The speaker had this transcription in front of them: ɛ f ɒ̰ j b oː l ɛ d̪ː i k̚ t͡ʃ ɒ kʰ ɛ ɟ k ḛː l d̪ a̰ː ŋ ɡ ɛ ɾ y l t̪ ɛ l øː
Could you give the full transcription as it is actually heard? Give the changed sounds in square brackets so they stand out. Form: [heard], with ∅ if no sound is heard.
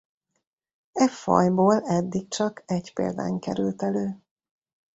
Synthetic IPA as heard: ɛ f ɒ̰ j b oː l ɛ d̪ː i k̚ t͡ʃ ɒ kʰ ɛ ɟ [p] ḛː l d̪ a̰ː ŋ [k] ɛ ɾ y l t̪ ɛ l øː